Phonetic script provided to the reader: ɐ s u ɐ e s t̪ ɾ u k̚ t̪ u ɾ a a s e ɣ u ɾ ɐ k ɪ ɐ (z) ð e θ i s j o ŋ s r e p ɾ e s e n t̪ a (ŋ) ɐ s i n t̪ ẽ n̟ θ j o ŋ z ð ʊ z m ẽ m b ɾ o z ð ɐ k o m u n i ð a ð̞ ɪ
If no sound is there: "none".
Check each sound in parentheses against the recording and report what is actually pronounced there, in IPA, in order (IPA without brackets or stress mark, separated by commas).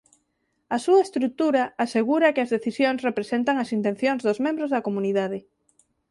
z, ŋ